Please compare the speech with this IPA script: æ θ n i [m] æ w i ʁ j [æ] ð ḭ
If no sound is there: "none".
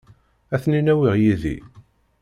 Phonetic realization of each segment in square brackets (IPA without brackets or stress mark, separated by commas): n, i